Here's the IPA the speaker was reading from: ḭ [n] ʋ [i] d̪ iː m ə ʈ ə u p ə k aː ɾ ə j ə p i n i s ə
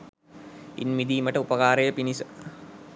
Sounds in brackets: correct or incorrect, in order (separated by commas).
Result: correct, correct